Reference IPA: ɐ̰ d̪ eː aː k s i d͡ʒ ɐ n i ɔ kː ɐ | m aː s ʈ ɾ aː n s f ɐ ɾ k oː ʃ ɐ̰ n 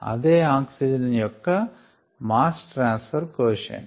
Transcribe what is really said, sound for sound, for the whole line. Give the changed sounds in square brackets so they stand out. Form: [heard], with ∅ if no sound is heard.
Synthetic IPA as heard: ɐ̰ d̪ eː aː k s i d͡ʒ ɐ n [j] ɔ kː ɐ | m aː s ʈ ɾ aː n s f ɐ ɾ k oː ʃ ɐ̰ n